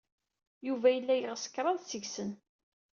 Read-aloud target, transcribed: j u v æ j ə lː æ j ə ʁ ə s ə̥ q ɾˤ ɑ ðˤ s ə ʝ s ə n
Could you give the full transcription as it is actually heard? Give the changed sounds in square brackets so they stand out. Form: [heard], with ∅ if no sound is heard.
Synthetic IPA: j u v æ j ə lː æ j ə ʁ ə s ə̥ [k] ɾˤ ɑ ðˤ s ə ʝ s ə n